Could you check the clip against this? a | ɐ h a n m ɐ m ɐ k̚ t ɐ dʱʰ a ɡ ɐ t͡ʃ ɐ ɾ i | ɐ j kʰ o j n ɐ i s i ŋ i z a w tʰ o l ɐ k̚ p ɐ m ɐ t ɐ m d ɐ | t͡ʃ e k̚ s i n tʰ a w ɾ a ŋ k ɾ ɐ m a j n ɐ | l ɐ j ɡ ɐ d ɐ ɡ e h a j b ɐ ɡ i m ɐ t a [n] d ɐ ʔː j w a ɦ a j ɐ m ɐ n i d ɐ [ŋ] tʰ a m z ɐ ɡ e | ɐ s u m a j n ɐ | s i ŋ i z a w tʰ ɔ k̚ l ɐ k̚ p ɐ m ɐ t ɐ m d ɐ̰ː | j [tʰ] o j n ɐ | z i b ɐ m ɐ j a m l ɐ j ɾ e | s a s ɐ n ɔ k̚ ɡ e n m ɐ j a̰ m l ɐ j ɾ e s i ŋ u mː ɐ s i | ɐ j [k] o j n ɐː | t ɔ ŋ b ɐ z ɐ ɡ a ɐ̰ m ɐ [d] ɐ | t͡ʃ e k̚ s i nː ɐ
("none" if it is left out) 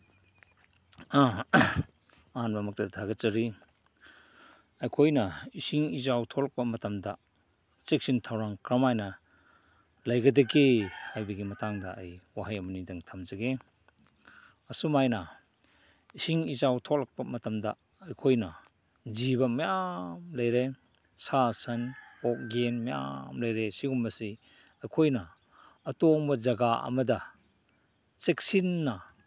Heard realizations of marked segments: ŋ, ŋ, kʰ, kʰ, d

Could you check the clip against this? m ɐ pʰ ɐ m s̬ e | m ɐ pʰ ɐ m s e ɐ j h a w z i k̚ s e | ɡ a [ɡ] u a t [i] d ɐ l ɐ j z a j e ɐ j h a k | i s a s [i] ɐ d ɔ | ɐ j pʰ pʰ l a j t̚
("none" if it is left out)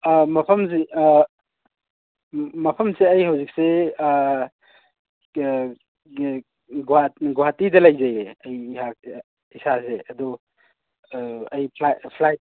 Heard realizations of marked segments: ɡ, i, e

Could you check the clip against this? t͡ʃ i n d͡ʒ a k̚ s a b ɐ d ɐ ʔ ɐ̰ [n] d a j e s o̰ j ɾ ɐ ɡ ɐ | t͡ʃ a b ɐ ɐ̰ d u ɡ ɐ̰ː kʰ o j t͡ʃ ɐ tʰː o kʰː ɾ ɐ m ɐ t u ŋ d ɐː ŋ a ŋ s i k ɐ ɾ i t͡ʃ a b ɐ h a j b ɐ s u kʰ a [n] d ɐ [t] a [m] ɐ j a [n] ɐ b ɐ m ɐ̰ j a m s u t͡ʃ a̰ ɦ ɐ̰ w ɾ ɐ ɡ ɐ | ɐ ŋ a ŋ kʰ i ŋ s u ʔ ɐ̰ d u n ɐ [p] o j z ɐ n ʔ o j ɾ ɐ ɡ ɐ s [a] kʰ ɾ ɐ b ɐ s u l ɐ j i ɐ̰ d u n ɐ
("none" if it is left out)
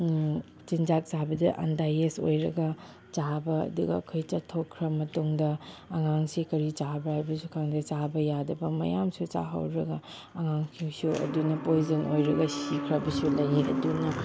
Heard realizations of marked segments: n, ŋ, t͡ʃ, b, d, p, i

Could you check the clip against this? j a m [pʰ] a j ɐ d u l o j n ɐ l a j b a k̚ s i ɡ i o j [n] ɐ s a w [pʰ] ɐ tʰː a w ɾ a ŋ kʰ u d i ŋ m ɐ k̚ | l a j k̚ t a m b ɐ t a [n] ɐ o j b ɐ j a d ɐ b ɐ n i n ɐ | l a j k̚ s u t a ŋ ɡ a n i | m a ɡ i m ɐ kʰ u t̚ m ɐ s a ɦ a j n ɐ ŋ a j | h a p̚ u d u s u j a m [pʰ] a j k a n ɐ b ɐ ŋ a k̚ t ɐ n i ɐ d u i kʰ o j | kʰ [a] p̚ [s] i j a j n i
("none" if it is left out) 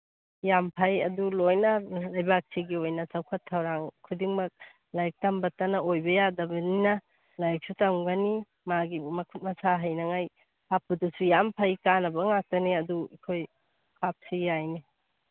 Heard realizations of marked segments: pʰ, n, kʰ, n, pʰ, a, s

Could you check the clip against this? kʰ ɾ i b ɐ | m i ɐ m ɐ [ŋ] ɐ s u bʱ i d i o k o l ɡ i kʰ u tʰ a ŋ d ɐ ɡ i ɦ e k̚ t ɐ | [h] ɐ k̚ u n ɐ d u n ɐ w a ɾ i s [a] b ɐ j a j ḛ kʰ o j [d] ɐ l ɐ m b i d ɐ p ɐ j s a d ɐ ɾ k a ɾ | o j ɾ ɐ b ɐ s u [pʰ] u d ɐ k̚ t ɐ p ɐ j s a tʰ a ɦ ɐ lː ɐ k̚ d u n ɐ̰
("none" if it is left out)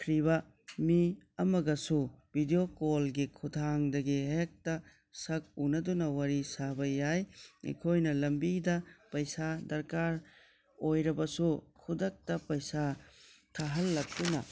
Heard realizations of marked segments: ɡ, s, a, n, kʰ

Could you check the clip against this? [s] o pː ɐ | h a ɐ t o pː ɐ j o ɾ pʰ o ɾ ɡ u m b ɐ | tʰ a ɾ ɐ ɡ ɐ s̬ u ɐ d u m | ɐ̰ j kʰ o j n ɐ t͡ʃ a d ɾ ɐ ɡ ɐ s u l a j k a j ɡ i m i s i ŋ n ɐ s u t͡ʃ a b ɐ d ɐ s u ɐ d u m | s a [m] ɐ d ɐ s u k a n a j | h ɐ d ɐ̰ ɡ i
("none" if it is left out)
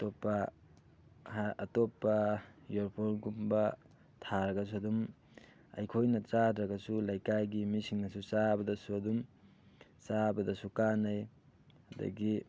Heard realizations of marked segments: t, b

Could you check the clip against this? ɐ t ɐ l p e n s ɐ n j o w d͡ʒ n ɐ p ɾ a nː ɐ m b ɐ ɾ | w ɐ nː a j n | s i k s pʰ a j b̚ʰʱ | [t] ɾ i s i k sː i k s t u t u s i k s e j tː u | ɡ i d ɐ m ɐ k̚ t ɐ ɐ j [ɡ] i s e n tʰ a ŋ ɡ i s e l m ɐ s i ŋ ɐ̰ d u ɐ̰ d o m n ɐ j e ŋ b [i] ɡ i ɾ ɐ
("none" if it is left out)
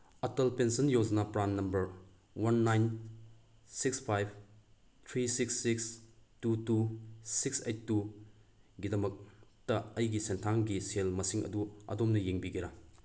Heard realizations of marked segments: tʰ, ɡ, i

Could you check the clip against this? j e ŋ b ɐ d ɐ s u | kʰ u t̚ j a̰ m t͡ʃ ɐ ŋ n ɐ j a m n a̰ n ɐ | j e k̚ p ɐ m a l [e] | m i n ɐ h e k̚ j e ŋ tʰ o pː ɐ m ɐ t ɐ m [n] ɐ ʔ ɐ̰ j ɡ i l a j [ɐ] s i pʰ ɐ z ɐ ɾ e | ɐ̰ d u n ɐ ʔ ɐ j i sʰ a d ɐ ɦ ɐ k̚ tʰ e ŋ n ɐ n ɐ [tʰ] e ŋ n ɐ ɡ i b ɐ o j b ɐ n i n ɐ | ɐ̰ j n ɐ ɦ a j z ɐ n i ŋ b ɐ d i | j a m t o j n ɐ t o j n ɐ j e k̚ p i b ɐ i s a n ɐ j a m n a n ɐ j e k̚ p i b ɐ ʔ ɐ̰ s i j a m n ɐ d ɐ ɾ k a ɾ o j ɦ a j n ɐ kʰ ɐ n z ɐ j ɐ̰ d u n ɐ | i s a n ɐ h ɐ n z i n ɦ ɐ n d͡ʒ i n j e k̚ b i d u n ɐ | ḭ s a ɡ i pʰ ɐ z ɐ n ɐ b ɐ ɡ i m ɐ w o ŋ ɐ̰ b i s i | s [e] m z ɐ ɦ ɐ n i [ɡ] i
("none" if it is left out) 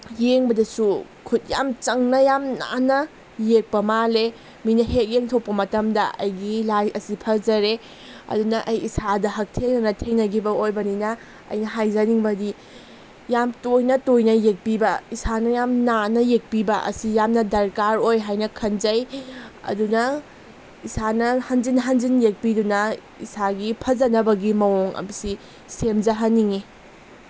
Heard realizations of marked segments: e, d, ɐ, tʰ, e, ŋ

